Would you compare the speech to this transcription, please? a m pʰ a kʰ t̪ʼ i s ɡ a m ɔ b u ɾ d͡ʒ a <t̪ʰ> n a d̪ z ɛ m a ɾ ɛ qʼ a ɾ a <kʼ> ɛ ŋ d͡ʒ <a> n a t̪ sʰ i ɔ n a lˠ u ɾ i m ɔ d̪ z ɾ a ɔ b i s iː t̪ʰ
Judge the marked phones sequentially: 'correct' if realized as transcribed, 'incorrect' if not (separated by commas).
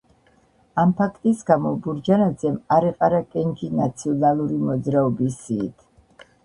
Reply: incorrect, correct, incorrect